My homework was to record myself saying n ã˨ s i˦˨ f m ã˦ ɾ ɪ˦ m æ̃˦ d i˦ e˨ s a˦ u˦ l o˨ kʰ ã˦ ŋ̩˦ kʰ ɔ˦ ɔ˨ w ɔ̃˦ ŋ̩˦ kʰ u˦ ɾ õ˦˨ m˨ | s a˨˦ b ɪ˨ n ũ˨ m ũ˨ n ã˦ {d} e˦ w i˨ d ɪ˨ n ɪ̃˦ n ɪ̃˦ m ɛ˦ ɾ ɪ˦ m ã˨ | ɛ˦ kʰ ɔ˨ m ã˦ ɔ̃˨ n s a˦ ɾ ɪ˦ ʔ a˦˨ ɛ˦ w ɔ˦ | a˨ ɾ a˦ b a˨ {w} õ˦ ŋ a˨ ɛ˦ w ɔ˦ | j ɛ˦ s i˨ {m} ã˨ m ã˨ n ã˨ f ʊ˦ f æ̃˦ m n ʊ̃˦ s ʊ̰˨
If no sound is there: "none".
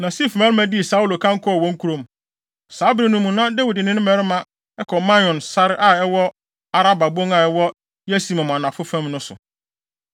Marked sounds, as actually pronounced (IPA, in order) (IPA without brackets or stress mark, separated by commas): d, b, m